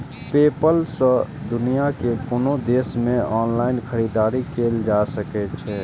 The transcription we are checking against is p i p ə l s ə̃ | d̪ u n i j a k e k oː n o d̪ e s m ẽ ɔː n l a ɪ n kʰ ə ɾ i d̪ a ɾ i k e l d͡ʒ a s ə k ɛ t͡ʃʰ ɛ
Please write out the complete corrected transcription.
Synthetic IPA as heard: p e p ə l s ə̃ | d̪ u n i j a k e k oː n o d̪ e s m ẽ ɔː n l a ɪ n kʰ ə ɾ i d̪ a ɾ i k e l d͡ʒ a s ə k ɛ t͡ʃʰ ɛ